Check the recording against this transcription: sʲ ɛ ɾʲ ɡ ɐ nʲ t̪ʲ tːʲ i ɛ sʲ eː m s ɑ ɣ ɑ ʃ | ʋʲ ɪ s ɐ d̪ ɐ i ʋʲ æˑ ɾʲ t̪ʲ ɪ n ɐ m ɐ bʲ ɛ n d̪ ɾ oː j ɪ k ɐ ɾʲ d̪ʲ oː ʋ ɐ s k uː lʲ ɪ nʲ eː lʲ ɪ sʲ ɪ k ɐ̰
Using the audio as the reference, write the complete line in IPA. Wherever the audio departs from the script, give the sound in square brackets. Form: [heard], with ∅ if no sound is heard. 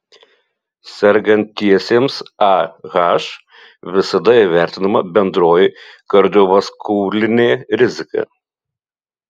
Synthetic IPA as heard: sʲ ɛ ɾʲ ɡ ɐ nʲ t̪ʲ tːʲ i ɛ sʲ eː m s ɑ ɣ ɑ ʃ | ʋʲ ɪ s ɐ d̪ ɐ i ʋʲ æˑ ɾʲ t̪ʲ ɪ n ɐ m ɐ bʲ ɛ n d̪ ɾ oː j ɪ k ɐ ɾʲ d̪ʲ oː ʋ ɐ s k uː lʲ ɪ nʲ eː [ɾʲ] ɪ [zʲ] ɪ k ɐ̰

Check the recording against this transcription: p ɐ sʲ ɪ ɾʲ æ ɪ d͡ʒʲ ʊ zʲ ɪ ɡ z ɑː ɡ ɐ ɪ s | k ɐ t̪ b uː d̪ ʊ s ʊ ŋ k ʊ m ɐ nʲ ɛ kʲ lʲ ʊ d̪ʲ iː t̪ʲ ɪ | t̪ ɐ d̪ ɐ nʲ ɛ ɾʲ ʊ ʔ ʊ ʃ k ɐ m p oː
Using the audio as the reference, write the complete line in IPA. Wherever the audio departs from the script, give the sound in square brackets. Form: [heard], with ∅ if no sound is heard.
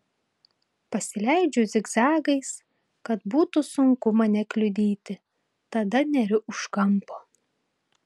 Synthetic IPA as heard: p ɐ sʲ ɪ [lʲ] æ ɪ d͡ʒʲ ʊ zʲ ɪ ɡ z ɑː ɡ ɐ ɪ s | k ɐ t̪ b uː [t̪] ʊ s ʊ ŋ k ʊ m ɐ nʲ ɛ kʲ lʲ ʊ d̪ʲ iː t̪ʲ ɪ | t̪ ɐ d̪ ɐ nʲ ɛ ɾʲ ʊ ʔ ʊ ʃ k ɐ m p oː

